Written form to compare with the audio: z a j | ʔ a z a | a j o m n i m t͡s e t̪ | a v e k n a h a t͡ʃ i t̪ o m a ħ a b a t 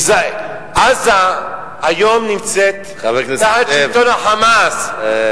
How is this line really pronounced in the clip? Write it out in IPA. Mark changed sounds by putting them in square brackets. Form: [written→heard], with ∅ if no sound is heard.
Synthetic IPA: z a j | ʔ a z a | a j o m n i m t͡s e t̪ | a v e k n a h a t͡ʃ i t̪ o [m→n] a ħ a [b→m] a [t→s]